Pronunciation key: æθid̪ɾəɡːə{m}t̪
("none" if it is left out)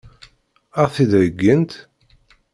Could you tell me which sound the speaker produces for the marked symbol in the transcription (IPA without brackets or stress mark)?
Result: n